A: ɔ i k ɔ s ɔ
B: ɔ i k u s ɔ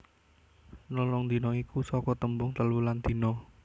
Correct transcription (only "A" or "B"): B